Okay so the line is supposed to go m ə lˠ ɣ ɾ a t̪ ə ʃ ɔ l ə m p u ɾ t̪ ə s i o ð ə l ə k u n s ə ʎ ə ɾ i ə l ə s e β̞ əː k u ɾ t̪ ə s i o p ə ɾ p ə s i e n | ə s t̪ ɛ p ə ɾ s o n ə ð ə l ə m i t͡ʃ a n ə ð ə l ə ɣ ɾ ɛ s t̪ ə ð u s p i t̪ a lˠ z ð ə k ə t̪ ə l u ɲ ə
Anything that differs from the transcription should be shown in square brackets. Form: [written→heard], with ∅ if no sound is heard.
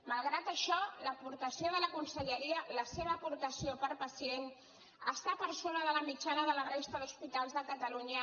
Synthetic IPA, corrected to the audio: m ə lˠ ɣ ɾ a t̪ ə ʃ ɔ l ə [m→∅] p u ɾ t̪ ə s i o ð ə l ə k u n s ə ʎ ə ɾ i ə l ə s e β̞ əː [k→p] u ɾ t̪ ə s i o p ə ɾ p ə s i e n | ə s t̪ [ɛ→a] p ə ɾ s o n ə ð ə l ə m i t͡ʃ a n ə ð ə l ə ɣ ɾ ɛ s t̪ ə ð u s p i t̪ a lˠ z ð ə k ə t̪ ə l u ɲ ə